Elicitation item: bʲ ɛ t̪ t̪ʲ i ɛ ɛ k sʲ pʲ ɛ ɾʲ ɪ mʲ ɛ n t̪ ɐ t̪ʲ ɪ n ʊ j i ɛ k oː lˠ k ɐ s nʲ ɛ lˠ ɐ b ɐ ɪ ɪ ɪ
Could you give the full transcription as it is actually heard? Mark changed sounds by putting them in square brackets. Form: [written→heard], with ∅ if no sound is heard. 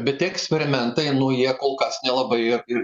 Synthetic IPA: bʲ ɛ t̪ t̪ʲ i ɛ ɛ k sʲ pʲ ɛ ɾʲ ɪ mʲ ɛ n t̪ ɐ [t̪ʲ→∅] ɪ n ʊ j i ɛ k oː lˠ k ɐ s nʲ ɛ lˠ ɐ b ɐ ɪ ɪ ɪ